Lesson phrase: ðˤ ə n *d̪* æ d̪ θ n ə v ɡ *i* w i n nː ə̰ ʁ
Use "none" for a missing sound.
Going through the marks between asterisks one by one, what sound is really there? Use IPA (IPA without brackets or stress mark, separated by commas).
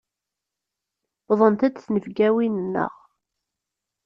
t̪, æ